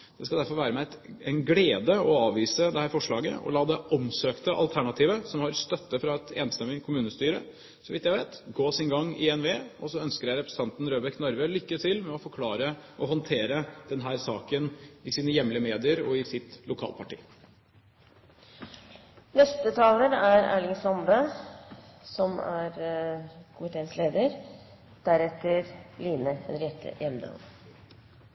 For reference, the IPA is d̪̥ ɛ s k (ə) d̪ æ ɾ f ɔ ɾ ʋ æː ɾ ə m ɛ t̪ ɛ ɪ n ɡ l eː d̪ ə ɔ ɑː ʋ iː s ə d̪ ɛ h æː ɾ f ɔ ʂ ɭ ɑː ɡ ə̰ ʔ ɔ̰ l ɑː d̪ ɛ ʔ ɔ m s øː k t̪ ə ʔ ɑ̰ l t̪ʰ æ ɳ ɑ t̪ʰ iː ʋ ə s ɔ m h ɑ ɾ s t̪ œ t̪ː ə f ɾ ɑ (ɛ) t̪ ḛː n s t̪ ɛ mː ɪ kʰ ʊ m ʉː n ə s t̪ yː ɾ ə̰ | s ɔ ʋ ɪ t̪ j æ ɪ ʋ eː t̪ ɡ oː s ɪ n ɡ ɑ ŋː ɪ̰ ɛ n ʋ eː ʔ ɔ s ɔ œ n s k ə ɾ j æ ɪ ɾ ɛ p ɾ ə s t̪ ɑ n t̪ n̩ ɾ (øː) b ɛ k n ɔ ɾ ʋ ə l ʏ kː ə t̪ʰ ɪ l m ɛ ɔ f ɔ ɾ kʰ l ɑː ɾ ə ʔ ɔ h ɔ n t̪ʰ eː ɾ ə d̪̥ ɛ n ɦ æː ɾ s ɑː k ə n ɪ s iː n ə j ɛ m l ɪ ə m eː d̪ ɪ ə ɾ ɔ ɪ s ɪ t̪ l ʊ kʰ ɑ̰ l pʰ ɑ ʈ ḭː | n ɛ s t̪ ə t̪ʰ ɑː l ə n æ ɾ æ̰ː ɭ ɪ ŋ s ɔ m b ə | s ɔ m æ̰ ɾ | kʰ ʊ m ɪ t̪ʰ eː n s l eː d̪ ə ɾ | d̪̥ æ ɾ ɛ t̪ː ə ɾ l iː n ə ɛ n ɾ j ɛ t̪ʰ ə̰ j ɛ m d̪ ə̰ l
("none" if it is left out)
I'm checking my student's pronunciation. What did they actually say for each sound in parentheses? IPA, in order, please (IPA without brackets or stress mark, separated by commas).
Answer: ɑ, ɛ, øː